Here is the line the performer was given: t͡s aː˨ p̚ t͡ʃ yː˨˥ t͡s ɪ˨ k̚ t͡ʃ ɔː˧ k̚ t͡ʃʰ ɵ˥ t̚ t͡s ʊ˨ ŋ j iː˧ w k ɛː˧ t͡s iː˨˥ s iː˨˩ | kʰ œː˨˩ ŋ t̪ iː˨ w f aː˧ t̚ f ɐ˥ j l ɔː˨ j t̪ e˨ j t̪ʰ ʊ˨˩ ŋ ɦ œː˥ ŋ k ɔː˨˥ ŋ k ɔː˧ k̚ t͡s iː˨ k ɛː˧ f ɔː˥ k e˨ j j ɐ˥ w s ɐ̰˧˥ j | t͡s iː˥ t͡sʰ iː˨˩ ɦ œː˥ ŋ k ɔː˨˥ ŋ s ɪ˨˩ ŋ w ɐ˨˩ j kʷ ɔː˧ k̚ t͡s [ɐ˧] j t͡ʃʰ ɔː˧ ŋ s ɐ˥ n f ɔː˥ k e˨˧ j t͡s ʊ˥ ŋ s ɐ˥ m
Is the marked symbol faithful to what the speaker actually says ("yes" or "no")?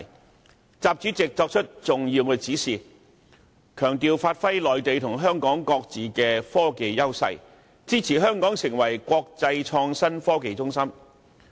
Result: yes